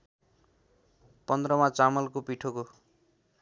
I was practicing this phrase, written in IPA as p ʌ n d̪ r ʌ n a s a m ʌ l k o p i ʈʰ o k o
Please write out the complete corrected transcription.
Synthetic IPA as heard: p ʌ n d̪ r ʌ m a t͡s a m ʌ l k o p i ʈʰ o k o